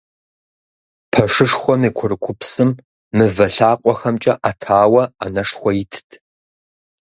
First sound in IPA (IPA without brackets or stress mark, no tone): pʰ